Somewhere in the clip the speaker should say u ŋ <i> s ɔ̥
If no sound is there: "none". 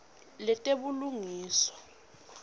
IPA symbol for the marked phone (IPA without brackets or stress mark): iː